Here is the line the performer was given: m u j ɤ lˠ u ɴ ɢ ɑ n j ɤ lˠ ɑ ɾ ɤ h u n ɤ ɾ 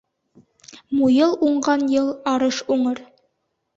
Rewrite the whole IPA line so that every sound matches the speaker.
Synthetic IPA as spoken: m u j ɤ lˠ u ɴ ɢ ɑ n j ɤ lˠ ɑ ɾ ɤ ʃ u ɴ ɤ ɾ